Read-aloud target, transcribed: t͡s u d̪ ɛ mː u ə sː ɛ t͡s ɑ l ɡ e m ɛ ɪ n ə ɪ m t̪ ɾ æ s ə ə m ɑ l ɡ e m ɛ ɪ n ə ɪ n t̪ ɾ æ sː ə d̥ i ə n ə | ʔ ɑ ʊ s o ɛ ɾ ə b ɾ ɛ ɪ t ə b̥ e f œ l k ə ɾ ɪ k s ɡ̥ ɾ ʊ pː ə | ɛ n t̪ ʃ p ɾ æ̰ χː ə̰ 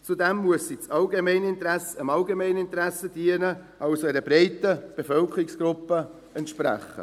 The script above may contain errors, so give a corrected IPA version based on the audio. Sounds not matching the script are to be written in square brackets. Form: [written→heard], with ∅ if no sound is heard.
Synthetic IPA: t͡s u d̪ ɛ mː u ə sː [ɛ→i] t͡s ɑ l ɡ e m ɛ ɪ n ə ɪ [m→n] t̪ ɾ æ s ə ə m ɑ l ɡ e m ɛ ɪ n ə ɪ n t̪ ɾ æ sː ə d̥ i ə n ə | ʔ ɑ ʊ s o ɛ ɾ ə b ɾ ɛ ɪ t ə b̥ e f œ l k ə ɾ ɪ k s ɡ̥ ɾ ʊ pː ə | ɛ n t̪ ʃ p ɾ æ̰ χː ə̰